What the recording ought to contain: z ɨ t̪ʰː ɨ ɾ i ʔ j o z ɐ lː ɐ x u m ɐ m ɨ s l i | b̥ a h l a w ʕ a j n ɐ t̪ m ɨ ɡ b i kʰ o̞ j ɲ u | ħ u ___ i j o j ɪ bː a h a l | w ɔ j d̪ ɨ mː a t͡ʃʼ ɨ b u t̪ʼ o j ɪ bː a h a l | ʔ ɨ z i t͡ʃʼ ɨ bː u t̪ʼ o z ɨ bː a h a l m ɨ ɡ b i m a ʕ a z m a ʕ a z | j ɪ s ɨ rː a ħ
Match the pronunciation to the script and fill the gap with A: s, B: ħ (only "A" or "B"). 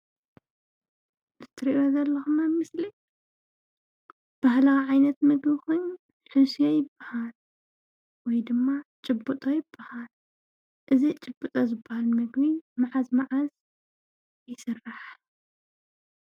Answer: A